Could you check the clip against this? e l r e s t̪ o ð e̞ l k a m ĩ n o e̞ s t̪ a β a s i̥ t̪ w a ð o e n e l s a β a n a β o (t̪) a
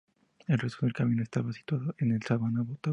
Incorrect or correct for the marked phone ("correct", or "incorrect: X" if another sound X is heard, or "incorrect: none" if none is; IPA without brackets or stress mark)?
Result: correct